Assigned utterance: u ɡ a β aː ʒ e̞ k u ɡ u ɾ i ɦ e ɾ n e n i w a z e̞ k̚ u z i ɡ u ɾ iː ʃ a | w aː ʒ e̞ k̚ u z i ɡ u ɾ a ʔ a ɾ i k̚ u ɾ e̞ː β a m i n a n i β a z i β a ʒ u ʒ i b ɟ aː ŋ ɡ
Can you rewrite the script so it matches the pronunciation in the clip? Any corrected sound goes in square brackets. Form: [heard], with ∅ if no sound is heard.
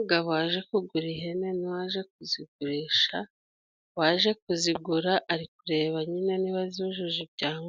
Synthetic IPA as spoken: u ɡ a β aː ʒ e̞ k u ɡ u ɾ i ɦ e [∅] n e n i w a [ʒ] e̞ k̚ u z i ɡ u ɾ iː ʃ a | w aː ʒ e̞ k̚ u z i ɡ u ɾ a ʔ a ɾ i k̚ u ɾ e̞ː β a [ɲ] i n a n i β a z i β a ʒ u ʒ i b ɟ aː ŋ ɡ